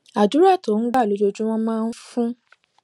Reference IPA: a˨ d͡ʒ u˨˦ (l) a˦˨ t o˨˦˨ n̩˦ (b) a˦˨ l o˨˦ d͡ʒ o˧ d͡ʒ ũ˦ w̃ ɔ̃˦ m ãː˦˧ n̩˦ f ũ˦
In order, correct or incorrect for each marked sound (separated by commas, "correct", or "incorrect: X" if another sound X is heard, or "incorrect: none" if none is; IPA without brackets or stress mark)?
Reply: incorrect: ɾ, incorrect: ɡ͡b